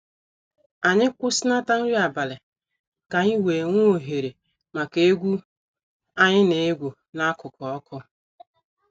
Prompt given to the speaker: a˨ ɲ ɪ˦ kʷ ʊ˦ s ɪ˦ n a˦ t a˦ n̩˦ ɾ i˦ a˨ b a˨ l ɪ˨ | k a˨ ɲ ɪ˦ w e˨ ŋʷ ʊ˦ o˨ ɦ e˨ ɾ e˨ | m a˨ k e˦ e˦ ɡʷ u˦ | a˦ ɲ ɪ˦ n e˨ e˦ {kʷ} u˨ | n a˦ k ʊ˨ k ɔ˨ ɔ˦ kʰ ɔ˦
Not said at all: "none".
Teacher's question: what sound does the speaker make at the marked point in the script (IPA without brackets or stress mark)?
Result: ɡʷ